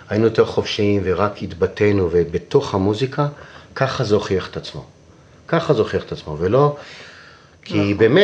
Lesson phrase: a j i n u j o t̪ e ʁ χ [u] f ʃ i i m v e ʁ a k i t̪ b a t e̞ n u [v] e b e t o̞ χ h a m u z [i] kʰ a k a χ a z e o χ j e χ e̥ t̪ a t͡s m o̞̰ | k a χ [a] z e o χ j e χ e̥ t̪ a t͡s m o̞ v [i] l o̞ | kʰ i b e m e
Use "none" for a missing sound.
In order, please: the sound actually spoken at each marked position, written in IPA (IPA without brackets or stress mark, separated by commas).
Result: o, v, i, a, e